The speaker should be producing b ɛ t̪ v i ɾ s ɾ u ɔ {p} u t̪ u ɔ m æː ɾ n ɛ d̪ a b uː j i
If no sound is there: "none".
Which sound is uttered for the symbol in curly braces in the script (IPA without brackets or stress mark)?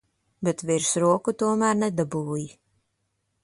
k